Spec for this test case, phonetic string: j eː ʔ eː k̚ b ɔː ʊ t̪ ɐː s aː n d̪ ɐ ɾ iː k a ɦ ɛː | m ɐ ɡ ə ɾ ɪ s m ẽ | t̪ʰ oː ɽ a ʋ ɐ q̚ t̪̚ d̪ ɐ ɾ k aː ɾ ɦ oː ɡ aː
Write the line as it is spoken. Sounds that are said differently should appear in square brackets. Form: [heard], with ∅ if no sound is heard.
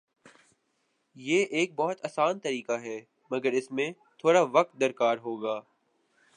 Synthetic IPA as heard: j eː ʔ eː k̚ b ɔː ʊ t̪ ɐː s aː n [t̪] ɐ ɾ iː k a ɦ ɛː | m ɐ ɡ ə ɾ ɪ s m ẽ | t̪ʰ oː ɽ a ʋ ɐ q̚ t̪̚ d̪ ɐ ɾ k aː ɾ ɦ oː ɡ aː